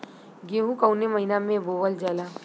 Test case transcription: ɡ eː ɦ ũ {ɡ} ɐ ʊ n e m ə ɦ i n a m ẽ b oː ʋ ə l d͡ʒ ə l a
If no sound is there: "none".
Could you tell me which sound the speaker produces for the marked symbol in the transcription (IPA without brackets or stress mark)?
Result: k